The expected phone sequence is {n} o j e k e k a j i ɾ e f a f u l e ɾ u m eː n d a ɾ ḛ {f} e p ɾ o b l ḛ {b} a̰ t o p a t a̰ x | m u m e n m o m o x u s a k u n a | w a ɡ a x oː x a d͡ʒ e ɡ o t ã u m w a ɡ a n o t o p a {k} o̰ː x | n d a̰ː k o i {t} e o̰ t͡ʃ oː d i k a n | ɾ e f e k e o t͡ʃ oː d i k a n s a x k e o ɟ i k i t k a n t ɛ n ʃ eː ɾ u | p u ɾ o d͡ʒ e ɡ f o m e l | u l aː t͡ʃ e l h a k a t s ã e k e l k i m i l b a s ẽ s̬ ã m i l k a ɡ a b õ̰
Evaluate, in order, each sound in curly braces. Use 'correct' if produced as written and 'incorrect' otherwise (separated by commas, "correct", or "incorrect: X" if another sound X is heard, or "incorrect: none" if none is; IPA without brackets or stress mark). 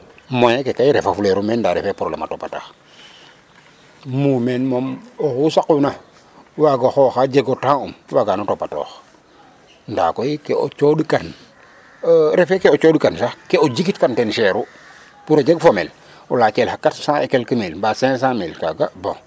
incorrect: m, correct, incorrect: m, incorrect: t, incorrect: k